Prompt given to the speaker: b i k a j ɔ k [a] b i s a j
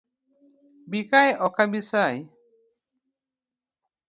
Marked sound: correct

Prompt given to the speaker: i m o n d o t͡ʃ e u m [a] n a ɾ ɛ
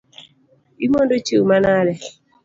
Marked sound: correct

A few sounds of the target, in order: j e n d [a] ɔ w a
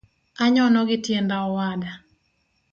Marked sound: correct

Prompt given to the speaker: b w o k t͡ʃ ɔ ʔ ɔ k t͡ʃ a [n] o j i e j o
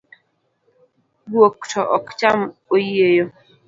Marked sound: incorrect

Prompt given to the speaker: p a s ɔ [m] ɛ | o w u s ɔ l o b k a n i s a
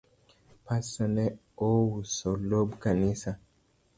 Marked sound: incorrect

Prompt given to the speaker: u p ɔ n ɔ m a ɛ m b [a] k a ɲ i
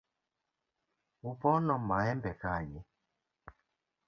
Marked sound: incorrect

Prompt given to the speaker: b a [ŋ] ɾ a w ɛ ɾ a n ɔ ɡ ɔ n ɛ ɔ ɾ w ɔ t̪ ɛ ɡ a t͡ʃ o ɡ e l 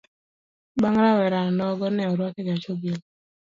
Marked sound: correct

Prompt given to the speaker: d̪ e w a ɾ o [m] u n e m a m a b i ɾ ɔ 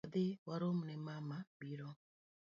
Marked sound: correct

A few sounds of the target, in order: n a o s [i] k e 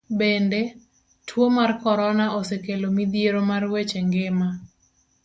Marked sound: incorrect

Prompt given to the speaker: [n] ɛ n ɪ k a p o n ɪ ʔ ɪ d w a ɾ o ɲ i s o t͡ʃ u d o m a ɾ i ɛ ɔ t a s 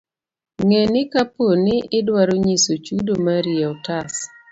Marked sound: incorrect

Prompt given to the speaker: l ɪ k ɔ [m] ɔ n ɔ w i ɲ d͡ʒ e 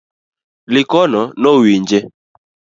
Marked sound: incorrect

